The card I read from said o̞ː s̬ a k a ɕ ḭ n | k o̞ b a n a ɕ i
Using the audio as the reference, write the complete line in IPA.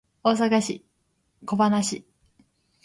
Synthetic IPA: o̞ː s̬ a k a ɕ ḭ | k o̞ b a n a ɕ i